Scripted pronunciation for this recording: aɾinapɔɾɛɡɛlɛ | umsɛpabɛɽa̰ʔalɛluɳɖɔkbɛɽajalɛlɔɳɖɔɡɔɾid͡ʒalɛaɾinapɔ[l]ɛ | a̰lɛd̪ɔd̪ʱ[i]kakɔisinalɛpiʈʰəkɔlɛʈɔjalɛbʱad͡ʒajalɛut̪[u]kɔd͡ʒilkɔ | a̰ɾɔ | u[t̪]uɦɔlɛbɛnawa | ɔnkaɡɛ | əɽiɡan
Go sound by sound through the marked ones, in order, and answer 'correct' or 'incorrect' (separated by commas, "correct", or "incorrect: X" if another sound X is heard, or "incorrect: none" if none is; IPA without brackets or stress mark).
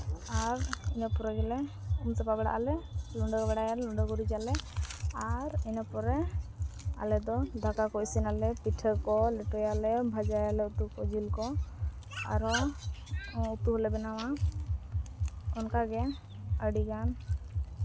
incorrect: ɾ, incorrect: a, correct, correct